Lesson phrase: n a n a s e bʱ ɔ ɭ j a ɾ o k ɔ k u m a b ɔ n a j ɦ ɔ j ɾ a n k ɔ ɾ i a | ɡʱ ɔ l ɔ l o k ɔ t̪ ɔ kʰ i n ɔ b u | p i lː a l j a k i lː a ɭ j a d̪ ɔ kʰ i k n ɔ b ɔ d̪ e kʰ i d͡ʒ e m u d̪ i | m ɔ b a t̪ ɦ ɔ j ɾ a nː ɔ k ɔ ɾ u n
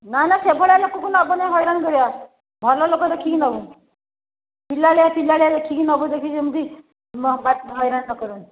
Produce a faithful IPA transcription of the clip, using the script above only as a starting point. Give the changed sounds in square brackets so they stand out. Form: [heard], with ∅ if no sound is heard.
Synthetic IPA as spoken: n a n a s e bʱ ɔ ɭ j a [l] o k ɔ k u [n] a b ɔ n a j ɦ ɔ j ɾ a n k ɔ ɾ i a | [bʱ] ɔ l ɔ l o k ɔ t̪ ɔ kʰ i n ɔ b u | p i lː a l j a [p] i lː a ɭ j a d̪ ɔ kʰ i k n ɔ b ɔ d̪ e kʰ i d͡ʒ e m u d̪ i | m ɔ b a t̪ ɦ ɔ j ɾ a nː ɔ k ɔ ɾ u n